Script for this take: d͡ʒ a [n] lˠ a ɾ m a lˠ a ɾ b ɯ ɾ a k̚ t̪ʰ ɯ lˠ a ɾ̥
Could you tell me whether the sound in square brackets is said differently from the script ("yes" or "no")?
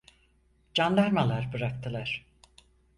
no